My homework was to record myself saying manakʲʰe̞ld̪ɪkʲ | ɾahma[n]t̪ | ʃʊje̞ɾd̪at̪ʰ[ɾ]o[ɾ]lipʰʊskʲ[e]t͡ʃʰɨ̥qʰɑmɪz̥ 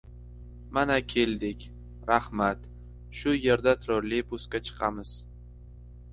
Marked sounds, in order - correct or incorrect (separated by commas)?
incorrect, correct, correct, incorrect